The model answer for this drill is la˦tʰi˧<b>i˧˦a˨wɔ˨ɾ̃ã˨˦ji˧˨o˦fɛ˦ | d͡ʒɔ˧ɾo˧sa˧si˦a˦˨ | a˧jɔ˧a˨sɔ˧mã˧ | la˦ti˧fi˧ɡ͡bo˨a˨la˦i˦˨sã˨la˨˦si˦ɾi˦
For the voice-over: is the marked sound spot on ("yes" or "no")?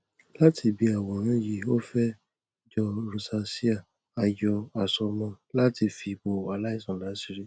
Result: yes